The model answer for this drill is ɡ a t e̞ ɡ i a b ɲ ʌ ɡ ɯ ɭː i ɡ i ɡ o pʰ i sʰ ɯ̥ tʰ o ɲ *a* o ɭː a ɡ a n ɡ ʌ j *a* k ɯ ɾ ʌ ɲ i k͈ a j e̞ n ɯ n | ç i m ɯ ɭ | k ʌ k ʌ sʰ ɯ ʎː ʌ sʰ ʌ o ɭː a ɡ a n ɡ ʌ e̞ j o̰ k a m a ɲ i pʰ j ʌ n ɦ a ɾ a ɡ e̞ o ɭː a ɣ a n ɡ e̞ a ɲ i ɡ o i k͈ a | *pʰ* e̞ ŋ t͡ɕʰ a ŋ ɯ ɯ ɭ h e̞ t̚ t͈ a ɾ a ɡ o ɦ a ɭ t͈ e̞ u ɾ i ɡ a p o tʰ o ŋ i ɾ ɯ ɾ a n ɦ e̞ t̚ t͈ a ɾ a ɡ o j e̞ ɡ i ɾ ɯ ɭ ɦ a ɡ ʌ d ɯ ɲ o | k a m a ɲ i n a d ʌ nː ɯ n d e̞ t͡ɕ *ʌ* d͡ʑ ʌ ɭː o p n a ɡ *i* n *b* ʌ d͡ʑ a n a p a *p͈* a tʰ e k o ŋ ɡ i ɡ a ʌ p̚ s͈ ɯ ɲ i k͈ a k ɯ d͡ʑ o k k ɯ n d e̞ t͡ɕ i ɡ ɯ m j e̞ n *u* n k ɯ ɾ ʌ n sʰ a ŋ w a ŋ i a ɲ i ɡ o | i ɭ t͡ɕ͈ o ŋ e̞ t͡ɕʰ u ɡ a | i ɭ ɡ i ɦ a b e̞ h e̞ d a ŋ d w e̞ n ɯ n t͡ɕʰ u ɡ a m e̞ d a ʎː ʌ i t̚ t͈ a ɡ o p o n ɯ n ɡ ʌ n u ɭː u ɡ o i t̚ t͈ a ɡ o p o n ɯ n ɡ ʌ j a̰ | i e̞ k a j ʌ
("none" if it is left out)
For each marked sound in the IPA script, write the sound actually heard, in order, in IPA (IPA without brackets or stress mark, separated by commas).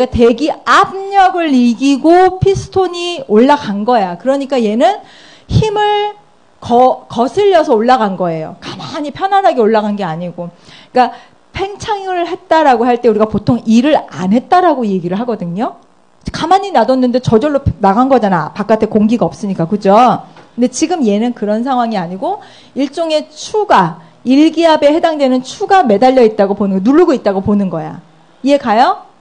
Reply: i, a, pʰ, ʌ, a, ɡ, k͈, ɯ